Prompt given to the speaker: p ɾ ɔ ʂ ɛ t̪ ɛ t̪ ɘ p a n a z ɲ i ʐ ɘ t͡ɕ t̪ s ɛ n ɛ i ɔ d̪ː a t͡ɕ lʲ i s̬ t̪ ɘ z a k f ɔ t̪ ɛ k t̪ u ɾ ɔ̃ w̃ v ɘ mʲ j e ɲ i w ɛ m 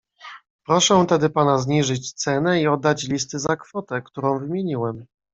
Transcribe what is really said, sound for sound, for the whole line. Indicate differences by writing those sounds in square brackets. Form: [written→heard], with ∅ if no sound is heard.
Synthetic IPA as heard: p ɾ ɔ ʂ ɛ t̪ ɛ [t̪→d̪] ɘ p a n a z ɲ i ʐ ɘ t͡ɕ t̪ s ɛ n ɛ i ɔ d̪ː a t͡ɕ lʲ i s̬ t̪ ɘ z a k f ɔ t̪ ɛ k t̪ u ɾ ɔ̃ w̃ v ɘ mʲ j e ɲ i w ɛ m